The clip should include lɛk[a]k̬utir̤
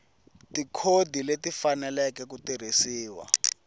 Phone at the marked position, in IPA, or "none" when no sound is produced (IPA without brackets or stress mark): ɛ